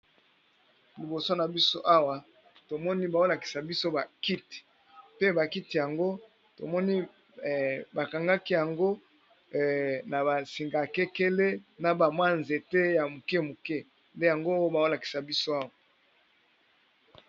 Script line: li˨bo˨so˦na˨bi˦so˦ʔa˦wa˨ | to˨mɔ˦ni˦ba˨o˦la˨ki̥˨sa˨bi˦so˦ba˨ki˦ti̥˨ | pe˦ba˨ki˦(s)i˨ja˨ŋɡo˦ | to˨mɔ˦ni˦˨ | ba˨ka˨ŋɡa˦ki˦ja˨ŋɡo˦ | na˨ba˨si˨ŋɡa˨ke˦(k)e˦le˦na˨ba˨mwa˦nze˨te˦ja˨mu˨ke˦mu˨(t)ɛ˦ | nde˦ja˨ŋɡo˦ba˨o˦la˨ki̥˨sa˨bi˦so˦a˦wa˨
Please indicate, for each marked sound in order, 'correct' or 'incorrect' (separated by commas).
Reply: incorrect, correct, incorrect